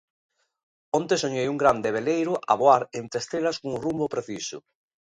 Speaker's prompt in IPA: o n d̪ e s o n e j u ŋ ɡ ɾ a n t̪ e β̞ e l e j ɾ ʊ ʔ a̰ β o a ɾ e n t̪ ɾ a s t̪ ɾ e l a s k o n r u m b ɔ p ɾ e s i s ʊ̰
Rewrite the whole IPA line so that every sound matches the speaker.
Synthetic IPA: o n t̪ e s o ɲ e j u ŋ ɡ ɾ a n d̪ e β̞ e l e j ɾ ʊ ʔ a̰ β o a ɾ e n t̪ ɾ e s t̪ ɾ e l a s k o ŋ r u m b o p ɾ e θ i s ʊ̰